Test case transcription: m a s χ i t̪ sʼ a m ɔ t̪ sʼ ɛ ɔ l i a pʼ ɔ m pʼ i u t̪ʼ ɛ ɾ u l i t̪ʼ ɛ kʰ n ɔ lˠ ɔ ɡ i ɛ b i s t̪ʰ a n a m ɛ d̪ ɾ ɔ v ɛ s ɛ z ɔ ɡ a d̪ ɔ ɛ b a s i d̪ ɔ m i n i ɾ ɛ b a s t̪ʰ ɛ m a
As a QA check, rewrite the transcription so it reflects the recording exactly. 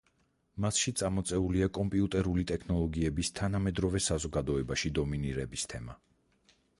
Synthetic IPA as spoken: m a s ʃ i t̪ sʼ a m ɔ t̪ sʼ ɛ u l i a kʼ ɔ m pʼ i u t̪ʼ ɛ ɾ u l i t̪ʼ ɛ kʰ n ɔ lˠ ɔ ɡ i ɛ b i s t̪ʰ a n a m ɛ d̪ ɾ ɔ v ɛ s a z ɔ ɡ a d̪ ɔ ɛ b a ʃ i d̪ ɔ m i n i ɾ ɛ b i s t̪ʰ ɛ m a

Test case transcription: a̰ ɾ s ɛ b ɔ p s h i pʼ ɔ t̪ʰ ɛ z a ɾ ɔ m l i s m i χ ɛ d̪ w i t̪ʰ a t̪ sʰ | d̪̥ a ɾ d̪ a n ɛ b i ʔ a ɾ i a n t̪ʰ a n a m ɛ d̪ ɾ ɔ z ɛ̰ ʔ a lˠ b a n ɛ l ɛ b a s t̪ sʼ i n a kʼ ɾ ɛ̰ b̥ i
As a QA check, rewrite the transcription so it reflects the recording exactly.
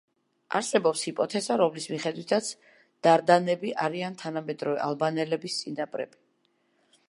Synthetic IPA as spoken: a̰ ɾ s ɛ b ɔ p s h i pʼ ɔ t̪ʰ ɛ z a ɾ ɔ m l i s m i χ ɛ d̪ w i t̪ʰ a t̪ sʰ | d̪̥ a ɾ d̪ a n ɛ b i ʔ a ɾ i a n t̪ʰ a n a m ɛ d̪ ɾ ɔ v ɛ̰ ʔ a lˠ b a n ɛ l ɛ b i s t̪ sʼ i n a pʼ ɾ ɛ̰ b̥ i

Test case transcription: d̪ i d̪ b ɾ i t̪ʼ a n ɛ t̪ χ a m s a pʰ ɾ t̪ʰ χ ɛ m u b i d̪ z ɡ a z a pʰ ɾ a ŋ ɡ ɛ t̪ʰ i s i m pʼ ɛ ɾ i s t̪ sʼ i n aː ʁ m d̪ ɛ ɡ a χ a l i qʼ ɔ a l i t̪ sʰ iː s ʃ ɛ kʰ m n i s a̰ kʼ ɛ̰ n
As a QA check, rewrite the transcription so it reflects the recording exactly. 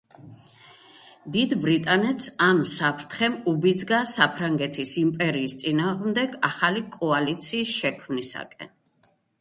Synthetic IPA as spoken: d̪ i d̪ b ɾ i t̪ʼ a n ɛ t̪ s a m s a pʰ ɾ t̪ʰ χ ɛ m u b i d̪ z ɡ a s a pʰ ɾ a ŋ ɡ ɛ t̪ʰ i s i m pʼ ɛ ɾ iː s t̪ sʼ i n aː ʁ m d̪ ɛ ɡ a χ a l i kʼ ɔ a l i t̪ sʰ iː s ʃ ɛ kʰ m n i s a̰ kʼ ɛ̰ n

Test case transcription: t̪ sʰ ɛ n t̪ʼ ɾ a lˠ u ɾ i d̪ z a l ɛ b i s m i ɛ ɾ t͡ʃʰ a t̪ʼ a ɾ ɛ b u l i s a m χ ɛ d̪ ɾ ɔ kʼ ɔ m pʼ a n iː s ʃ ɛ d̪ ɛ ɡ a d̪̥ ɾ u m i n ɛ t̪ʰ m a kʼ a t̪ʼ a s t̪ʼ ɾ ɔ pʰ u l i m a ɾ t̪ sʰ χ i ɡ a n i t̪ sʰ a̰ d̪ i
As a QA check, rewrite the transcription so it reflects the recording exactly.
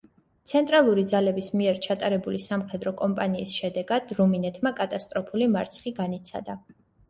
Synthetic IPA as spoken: t̪ sʰ ɛ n t̪ʼ ɾ a lˠ u ɾ i d̪ z a l ɛ b i s m i ɛ ɾ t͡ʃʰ a t̪ʼ a ɾ ɛ b u l i s a m χ ɛ d̪ ɾ ɔ kʼ ɔ m pʼ a n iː s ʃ ɛ d̪ ɛ ɡ a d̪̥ ɾ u m i n ɛ t̪ʰ m a kʼ a t̪ʼ a s t̪ʼ ɾ ɔ pʰ u l i m a ɾ t̪ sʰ χ i ɡ a n i t̪ sʰ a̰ d̪ a

